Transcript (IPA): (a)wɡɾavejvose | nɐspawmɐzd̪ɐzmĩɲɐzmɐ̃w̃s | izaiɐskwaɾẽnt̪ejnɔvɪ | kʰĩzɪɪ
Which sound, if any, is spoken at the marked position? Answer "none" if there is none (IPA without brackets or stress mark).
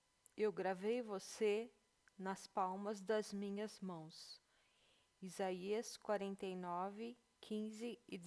e